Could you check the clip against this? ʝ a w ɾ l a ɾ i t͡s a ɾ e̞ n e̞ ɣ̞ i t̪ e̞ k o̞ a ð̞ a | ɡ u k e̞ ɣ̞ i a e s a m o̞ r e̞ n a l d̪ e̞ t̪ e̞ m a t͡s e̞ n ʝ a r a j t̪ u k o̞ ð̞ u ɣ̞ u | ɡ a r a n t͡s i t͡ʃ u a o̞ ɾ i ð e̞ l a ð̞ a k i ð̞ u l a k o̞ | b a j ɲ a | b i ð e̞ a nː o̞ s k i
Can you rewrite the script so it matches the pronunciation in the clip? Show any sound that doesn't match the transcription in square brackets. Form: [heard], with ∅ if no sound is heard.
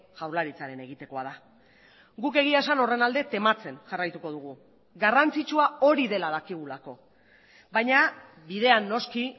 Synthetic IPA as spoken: ʝ a w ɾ l a ɾ i t͡s a ɾ e̞ n e̞ ɣ̞ i t̪ e̞ k o̞ a ð̞ a | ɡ u k e̞ ɣ̞ i a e s a [n] o̞ r e̞ n a l d̪ e̞ t̪ e̞ m a t͡s e̞ n ʝ a r a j t̪ u k o̞ ð̞ u ɣ̞ u | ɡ a r a n t͡s i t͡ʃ u a o̞ ɾ i ð e̞ l a ð̞ a k i [ɣ̞] u l a k o̞ | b a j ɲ a | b i ð e̞ a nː o̞ s k i

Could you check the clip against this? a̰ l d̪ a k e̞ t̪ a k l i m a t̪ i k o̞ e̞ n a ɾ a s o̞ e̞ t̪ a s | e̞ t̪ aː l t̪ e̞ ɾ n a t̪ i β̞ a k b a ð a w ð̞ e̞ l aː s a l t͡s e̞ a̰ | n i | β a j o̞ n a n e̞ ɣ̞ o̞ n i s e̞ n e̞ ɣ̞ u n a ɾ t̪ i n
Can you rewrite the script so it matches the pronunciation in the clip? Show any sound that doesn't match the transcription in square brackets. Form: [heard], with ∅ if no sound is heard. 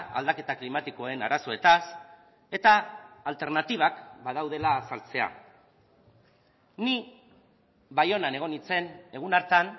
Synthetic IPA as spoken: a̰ l d̪ a k e̞ t̪ a k l i m a t̪ i k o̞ e̞ n a ɾ a s o̞ e̞ t̪ a s | e̞ t̪ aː l t̪ e̞ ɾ n a t̪ i β̞ a k b a ð a w ð̞ e̞ l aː s a l t͡s e̞ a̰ | n i | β a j o̞ n a n e̞ ɣ̞ o̞ n i [t͡s] e̞ n e̞ ɣ̞ u n a ɾ t̪ [a] n

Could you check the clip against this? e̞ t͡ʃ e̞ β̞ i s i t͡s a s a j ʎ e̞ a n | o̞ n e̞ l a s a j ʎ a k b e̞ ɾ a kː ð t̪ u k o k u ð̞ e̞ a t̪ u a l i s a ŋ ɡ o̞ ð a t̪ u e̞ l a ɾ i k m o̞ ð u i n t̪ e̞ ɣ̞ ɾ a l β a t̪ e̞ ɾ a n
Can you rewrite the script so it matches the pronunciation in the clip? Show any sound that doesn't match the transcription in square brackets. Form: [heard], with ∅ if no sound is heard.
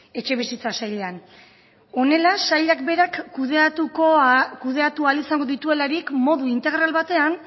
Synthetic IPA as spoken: e̞ t͡ʃ e̞ β̞ i s i t͡s a s a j ʎ e̞ a n | o̞ n e̞ l a s a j ʎ a k b e̞ ɾ a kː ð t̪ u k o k u ð̞ e̞ a t̪ u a l i s a ŋ ɡ o̞ ð [i] t̪ u e̞ l a ɾ i k m o̞ ð u i n t̪ e̞ ɣ̞ ɾ a l β a t̪ e̞ [∅] a n

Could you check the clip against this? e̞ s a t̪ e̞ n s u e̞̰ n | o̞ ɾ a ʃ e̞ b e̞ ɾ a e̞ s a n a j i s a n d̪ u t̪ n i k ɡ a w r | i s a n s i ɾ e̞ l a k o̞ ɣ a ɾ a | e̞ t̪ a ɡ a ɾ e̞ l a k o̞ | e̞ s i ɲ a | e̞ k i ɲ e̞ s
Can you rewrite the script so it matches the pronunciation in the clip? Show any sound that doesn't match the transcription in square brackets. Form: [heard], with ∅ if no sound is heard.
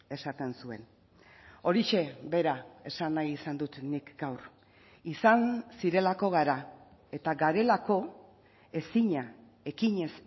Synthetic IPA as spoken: e̞ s a t̪ e̞ n s u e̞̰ n | o̞ ɾ [i] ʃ e̞ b e̞ ɾ a e̞ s a n a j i s a n d̪ u t̪ n i k ɡ a w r | i s a n s i ɾ e̞ l a k o̞ ɣ a ɾ a | e̞ t̪ a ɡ a ɾ e̞ l a k o̞ | e̞ s i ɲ a | e̞ k i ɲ e̞ s

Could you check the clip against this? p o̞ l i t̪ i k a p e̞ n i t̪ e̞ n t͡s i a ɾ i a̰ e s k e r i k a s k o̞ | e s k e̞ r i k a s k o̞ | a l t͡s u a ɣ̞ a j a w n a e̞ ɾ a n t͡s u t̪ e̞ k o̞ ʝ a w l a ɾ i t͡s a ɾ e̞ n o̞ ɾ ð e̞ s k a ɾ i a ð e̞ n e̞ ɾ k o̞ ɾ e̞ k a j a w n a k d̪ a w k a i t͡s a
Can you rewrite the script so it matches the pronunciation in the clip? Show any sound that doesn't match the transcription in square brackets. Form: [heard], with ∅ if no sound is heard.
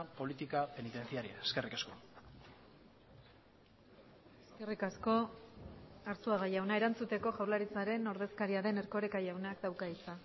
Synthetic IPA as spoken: p o̞ l i t̪ i k a p e̞ n i t̪ e̞ n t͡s i a ɾ i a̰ e s k e r i k a s k o̞ | e s k e̞ r i k a s k o̞ | a [ɾ] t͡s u a ɣ̞ a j a w n a e̞ ɾ a n t͡s u t̪ e̞ k o̞ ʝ a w l a ɾ i t͡s a ɾ e̞ n o̞ ɾ ð e̞ s k a ɾ i a ð e̞ n e̞ ɾ k o̞ ɾ e̞ k a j a w n a k d̪ a w k a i t͡s a

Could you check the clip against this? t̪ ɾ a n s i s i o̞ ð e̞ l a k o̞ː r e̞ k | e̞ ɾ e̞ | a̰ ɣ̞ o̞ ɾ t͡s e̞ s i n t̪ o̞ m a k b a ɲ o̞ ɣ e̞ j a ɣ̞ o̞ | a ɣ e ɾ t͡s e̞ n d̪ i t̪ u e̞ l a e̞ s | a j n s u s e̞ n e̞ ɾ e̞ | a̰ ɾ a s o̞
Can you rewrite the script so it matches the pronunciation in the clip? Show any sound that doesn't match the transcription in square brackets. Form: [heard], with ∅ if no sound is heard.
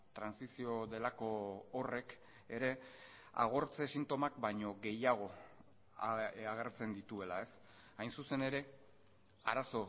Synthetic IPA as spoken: t̪ ɾ a n s i s i o̞ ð e̞ l a k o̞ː r e̞ k | e̞ ɾ e̞ | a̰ ɣ̞ o̞ ɾ t͡s e̞ s i n t̪ o̞ m a k b a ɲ o̞ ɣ e̞ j a ɣ̞ o̞ | a ɣ e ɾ t͡s e̞ n d̪ i t̪ u e̞ l a e̞ s | a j n s u s e̞ n e̞ ɾ e̞ | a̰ ɾ a s o̞

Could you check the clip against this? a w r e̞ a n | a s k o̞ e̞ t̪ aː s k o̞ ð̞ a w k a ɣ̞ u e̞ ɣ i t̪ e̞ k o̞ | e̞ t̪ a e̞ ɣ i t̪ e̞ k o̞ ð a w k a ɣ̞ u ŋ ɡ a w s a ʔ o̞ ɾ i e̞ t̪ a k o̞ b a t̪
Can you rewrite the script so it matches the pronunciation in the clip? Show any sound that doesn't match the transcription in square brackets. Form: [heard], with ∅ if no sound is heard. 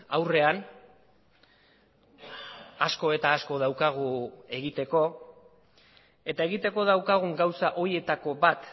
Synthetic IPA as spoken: a w r e̞ a n | a s k o̞ e̞ t̪ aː s k o̞ ð̞ a w k a ɣ̞ u e̞ ɣ i t̪ e̞ k o̞ | e̞ t̪ a e̞ ɣ i t̪ e̞ k o̞ ð a w k a ɣ̞ u ŋ ɡ a w s a ʔ o̞ ɾ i e̞ t̪ a k o̞ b a t̪

